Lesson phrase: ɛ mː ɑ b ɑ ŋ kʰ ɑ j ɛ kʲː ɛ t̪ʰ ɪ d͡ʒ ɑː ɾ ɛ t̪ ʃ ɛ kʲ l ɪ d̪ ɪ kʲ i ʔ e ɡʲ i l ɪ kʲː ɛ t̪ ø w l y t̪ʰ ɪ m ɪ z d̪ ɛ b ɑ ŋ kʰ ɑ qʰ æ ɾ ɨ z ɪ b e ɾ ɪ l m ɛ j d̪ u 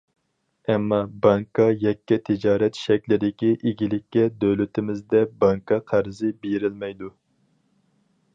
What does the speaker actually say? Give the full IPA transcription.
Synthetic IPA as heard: ɛ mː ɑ b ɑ ŋ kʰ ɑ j ɛ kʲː ɛ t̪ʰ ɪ d͡ʒ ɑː ɾ ɛ t̪ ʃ ɛ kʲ l ɪ d̪ ɪ kʲ i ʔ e ɡʲ i l ɪ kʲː ɛ d̪ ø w l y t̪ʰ ɪ m ɪ z d̪ ɛ b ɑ ŋ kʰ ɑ qʰ æ ɾ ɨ z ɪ b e ɾ ɪ l m ɛ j d̪ u